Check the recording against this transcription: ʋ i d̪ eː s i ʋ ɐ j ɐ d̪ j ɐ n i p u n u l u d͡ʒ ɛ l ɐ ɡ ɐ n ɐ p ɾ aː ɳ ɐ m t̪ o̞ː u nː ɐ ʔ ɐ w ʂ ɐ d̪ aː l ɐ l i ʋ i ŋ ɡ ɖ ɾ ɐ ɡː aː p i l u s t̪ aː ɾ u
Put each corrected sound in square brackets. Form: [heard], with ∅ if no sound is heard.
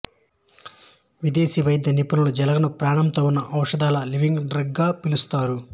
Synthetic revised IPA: ʋ i d̪ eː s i ʋ ɐ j ɐ d̪ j ɐ n i p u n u l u d͡ʒ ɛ l ɐ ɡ ɐ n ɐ p ɾ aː ɳ ɐ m t̪ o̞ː u nː ɐ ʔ ɐ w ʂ ɐ d̪ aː l ɐ l i ʋ i ŋ ɡ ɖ ɾ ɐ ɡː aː p i l u s t̪ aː ɾ u